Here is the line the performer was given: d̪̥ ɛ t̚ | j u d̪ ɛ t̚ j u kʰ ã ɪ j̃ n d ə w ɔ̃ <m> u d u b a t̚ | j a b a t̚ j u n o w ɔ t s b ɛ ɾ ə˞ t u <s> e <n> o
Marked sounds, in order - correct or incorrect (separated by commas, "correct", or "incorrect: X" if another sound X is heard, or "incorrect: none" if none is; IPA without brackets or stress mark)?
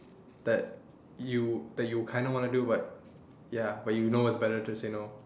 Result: incorrect: n, correct, correct